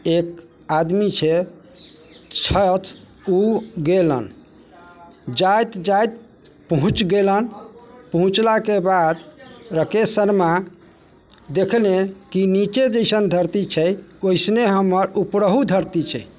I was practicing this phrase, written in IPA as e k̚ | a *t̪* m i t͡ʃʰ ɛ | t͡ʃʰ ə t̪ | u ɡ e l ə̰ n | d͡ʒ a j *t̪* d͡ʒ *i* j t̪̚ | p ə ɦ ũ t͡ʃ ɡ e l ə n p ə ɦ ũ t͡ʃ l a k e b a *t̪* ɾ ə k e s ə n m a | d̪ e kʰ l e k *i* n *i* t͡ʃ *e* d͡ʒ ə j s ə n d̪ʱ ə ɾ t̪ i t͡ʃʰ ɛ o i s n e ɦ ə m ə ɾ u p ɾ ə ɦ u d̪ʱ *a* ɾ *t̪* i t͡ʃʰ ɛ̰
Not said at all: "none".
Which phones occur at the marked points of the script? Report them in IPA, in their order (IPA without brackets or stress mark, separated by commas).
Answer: d̪, t̪, a, d̪, i, i, e, ə, t̪